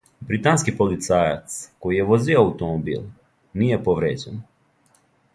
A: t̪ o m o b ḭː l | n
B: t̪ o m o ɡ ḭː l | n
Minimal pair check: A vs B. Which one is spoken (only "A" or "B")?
A